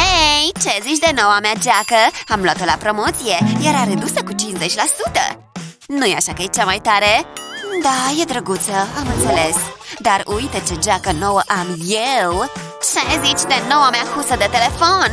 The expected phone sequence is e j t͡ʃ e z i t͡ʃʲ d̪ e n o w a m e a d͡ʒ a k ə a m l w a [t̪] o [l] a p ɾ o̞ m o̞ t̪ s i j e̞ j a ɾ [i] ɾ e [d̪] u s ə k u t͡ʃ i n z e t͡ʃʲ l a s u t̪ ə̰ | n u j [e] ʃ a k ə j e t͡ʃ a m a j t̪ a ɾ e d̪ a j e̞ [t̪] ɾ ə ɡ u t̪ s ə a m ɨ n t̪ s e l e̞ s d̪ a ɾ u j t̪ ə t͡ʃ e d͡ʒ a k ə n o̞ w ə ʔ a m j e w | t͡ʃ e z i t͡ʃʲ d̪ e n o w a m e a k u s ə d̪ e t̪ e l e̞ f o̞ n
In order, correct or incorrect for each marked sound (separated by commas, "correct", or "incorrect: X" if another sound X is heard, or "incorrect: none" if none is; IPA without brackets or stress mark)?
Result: correct, correct, incorrect: a, correct, incorrect: a, incorrect: d̪